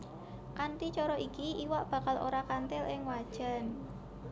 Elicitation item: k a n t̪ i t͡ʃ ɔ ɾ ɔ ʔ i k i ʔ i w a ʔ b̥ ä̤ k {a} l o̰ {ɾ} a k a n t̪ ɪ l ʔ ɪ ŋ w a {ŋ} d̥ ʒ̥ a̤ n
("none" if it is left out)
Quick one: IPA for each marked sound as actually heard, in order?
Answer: a, ɾ, none

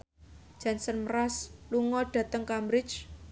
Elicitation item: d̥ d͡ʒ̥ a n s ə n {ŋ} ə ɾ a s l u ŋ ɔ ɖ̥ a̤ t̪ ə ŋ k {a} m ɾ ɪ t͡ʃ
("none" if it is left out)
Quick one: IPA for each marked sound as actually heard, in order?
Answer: m, a

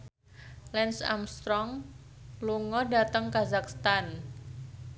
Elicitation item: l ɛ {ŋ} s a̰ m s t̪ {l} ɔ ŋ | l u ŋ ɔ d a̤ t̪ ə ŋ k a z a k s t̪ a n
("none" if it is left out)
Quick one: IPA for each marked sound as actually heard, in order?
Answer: n, ɾ

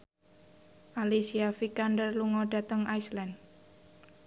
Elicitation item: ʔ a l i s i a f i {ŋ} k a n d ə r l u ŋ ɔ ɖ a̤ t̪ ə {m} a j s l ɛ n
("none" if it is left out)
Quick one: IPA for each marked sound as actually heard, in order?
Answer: none, ŋ

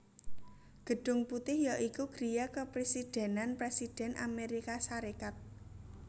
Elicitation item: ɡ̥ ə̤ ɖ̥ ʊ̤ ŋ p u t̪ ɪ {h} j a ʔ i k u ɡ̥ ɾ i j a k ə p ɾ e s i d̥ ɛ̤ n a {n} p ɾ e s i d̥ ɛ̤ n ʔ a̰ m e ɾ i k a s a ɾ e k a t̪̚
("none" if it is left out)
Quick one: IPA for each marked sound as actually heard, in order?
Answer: h, n

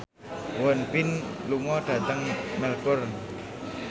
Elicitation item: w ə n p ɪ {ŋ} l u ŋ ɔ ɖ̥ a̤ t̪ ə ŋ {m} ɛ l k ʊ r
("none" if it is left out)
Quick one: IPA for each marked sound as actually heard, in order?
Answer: n, m

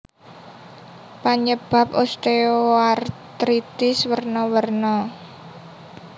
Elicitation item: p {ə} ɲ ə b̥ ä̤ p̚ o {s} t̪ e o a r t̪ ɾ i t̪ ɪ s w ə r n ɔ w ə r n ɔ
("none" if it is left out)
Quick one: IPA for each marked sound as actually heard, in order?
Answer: a, s

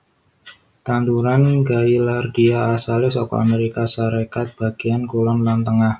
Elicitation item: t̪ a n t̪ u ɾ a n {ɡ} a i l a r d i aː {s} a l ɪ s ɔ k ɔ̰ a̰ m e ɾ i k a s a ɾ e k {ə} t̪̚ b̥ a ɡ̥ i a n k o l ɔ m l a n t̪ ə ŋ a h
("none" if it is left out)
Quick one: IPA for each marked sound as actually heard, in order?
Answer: ɡ, s, a

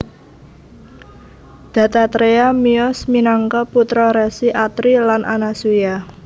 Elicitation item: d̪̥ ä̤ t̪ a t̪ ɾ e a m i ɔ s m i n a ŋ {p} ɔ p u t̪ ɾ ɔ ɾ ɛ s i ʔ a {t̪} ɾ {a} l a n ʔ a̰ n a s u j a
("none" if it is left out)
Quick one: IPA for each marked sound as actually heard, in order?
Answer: k, t̪, i

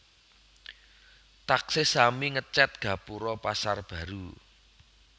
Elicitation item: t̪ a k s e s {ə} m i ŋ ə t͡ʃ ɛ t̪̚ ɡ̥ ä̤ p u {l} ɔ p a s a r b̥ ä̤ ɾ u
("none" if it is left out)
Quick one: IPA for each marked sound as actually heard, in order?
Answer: a, ɾ

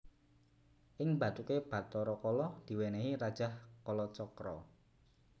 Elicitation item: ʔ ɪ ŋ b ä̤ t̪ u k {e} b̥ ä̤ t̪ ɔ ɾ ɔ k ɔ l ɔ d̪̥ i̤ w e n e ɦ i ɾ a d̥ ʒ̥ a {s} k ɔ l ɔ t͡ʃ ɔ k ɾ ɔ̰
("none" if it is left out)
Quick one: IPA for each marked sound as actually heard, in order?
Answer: e, h

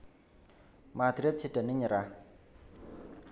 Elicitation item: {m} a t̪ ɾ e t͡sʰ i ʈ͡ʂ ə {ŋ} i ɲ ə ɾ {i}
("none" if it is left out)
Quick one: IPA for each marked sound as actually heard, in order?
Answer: m, n, a

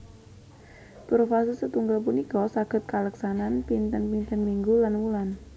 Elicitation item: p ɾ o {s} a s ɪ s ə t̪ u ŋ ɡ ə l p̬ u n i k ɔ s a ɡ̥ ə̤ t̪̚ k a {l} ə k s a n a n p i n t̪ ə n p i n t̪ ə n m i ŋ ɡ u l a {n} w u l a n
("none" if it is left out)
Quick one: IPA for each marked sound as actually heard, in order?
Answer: f, l, n

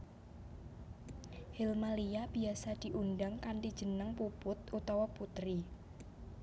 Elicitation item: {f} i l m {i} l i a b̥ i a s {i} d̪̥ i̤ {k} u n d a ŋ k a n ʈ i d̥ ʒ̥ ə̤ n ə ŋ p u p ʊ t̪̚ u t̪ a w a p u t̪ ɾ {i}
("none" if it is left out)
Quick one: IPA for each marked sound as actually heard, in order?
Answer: h, a, a, ʔ, i

